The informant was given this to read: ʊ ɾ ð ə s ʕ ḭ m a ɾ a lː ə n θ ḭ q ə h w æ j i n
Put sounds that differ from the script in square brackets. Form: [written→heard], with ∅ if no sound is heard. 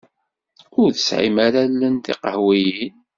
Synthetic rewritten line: ʊ ɾ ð ə s ʕ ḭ m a ɾ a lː ə n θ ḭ q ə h w [æ→i] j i n